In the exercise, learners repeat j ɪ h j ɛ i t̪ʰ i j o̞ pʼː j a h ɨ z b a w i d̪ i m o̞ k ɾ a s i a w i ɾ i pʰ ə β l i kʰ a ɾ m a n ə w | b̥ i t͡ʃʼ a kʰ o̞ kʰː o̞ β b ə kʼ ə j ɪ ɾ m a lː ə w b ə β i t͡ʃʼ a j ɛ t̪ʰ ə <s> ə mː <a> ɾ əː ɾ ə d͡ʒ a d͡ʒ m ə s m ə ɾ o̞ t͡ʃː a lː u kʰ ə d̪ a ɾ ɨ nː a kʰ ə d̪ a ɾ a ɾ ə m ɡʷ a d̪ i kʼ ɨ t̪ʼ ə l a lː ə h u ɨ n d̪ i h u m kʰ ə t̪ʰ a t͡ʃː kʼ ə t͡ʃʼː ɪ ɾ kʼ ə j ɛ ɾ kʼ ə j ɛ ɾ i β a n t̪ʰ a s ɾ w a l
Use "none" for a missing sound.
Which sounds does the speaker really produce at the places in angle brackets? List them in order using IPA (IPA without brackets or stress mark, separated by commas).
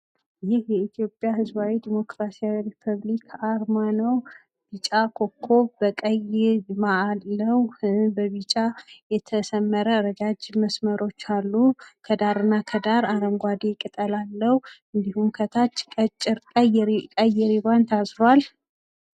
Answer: s, ə